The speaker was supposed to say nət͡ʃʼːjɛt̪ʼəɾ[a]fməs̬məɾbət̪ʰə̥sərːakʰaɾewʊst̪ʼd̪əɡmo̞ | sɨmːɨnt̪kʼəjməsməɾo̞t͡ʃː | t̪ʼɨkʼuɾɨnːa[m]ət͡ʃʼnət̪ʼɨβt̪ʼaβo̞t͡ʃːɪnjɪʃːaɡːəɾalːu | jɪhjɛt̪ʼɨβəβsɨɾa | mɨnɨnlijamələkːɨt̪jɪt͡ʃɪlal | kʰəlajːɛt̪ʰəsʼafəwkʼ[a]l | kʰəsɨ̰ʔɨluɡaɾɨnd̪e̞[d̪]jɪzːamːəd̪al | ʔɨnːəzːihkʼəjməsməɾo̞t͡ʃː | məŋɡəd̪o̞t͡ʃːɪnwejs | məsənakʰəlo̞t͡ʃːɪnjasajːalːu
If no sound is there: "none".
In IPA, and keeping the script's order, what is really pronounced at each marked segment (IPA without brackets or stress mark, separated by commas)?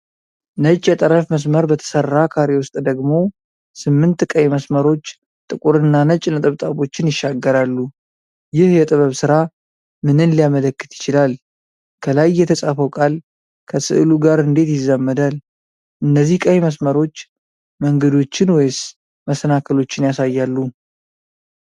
ə, n, a, t̪